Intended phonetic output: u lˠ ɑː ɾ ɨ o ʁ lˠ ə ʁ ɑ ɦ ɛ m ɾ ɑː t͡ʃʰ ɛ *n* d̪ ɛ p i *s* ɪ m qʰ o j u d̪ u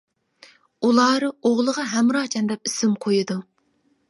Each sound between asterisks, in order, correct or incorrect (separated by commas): correct, correct